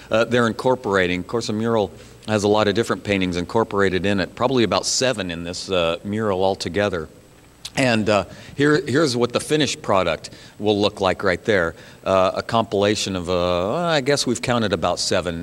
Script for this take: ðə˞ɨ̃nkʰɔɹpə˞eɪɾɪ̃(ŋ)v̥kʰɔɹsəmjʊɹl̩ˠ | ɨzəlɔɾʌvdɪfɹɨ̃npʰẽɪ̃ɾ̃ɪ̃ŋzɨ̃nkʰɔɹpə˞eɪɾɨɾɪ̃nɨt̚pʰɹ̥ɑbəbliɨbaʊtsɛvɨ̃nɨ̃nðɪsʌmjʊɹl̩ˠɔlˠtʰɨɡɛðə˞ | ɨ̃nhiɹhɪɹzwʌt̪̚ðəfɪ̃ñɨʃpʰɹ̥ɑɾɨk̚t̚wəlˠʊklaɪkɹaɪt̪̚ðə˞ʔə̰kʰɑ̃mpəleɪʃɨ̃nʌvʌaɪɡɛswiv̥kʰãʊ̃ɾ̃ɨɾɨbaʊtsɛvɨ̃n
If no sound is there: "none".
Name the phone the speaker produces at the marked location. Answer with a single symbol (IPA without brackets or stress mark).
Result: ŋ